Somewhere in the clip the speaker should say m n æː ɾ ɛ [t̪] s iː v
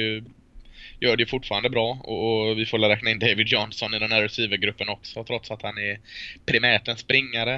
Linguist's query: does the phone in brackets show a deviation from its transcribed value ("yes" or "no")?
yes